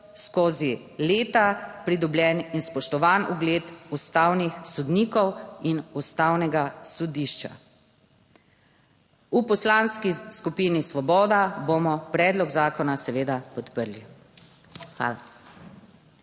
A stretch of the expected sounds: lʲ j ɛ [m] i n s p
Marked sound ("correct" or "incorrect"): incorrect